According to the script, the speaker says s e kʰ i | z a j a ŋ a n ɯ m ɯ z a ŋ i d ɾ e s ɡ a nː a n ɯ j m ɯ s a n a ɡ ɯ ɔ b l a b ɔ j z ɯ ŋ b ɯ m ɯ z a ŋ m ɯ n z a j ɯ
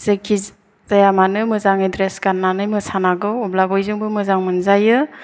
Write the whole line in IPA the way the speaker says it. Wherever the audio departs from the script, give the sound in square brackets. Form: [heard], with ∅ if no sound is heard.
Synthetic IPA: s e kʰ i | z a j a [m] a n ɯ m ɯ z a ŋ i d ɾ e s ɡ a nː a n ɯ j m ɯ s a n a ɡ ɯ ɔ b l a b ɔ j z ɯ ŋ b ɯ m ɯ z a ŋ m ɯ n z a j ɯ